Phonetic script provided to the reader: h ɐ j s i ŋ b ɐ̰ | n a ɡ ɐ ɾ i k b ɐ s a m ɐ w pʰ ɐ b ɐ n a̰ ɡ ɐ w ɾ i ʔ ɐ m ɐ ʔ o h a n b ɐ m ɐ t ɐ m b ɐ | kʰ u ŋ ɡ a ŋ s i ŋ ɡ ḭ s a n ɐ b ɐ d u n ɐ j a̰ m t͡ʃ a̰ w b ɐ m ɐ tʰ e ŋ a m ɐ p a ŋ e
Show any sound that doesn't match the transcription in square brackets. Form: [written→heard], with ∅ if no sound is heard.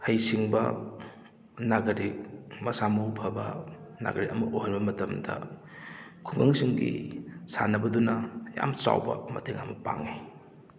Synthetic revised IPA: h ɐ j s i ŋ b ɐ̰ | n a ɡ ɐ ɾ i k [b→m] ɐ s a m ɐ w pʰ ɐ b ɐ n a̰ ɡ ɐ [w→∅] ɾ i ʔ ɐ m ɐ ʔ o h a n b ɐ m ɐ t ɐ m [b→d] ɐ | kʰ u ŋ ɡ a ŋ s i ŋ ɡ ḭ s a n ɐ b ɐ d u n ɐ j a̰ m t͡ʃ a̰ w b ɐ m ɐ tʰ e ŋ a m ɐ p a ŋ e